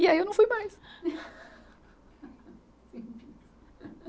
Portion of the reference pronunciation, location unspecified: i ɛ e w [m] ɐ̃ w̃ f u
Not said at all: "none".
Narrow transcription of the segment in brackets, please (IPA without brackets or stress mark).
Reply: n